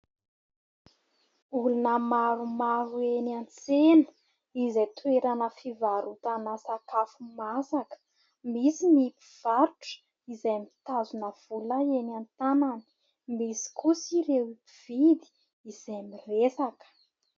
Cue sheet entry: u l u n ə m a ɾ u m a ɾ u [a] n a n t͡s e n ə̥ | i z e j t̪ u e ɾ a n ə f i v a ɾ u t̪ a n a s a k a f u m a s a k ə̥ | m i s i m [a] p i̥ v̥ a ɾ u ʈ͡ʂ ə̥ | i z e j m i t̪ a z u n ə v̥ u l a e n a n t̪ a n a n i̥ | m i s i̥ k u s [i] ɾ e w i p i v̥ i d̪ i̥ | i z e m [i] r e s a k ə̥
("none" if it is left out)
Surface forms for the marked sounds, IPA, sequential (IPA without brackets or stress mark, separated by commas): e, i, i, i